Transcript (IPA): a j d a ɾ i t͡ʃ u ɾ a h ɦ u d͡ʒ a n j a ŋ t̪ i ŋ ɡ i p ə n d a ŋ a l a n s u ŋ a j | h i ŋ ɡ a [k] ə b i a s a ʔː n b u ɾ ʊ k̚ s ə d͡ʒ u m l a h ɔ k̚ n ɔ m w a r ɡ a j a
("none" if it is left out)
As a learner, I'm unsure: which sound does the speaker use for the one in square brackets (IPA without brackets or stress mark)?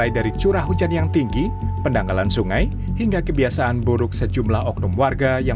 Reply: k